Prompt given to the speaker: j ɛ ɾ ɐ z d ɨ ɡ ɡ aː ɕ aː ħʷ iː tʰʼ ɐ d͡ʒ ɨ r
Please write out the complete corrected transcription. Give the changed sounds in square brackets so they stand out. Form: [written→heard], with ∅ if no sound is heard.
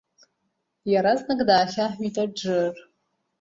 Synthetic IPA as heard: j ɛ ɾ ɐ z [d→n] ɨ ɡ [ɡ→d] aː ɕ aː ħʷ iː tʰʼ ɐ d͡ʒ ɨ r